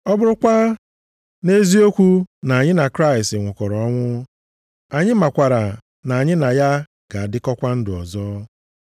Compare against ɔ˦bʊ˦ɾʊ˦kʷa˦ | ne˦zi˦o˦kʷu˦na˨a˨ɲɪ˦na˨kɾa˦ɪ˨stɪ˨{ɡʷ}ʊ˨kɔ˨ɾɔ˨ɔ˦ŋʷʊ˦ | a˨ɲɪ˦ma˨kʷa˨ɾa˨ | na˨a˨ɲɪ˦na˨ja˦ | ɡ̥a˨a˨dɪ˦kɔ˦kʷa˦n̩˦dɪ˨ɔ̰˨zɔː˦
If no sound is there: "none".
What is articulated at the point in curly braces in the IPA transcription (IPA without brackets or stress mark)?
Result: ŋʷ